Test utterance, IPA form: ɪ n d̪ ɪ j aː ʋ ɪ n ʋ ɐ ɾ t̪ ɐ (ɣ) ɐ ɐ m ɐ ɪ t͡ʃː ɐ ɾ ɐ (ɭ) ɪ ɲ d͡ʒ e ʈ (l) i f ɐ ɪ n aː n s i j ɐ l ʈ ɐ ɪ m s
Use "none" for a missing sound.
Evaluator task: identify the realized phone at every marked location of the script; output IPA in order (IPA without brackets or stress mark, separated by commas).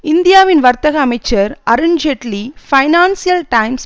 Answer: ɣ, ɾ, l